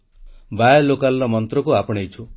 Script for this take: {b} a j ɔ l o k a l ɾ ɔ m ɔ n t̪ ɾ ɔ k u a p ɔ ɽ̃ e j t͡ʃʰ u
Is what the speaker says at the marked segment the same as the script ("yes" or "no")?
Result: yes